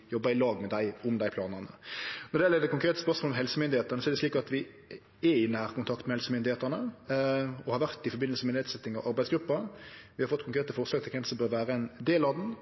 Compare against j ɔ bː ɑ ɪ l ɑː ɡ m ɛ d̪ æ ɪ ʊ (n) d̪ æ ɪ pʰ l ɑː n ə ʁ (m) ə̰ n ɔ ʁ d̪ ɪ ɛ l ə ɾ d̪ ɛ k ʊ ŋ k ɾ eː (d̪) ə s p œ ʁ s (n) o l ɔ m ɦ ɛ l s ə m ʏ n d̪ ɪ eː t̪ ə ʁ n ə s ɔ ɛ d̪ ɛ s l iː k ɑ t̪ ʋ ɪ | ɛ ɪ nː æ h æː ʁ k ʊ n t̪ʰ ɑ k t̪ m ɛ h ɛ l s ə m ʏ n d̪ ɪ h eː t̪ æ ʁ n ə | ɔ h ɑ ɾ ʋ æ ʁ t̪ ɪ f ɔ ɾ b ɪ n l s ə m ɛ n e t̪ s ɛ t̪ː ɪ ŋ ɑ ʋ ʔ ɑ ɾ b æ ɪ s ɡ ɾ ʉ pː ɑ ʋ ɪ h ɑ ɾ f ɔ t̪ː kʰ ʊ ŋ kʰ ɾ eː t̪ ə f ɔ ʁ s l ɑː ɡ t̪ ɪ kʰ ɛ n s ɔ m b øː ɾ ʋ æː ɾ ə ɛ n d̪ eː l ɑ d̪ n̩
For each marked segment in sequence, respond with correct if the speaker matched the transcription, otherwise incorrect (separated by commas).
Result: incorrect, incorrect, incorrect, incorrect